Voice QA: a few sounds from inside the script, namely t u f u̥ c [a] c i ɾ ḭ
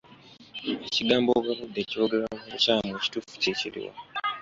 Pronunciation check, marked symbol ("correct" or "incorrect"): incorrect